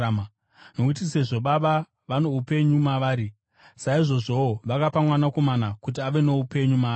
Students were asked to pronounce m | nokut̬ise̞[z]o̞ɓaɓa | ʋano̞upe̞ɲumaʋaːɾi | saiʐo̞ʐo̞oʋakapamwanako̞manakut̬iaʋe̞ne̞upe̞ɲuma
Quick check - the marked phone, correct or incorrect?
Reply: incorrect